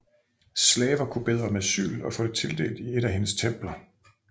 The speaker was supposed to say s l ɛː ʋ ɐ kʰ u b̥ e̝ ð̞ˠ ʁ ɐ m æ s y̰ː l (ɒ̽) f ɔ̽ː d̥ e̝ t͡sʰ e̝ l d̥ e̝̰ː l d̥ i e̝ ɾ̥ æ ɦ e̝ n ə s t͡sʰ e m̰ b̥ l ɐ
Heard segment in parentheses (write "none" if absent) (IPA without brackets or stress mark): ɒ̽